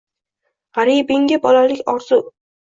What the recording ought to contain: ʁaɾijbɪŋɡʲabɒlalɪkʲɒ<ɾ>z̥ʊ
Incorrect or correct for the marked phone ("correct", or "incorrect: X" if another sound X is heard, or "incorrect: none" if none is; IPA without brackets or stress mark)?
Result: correct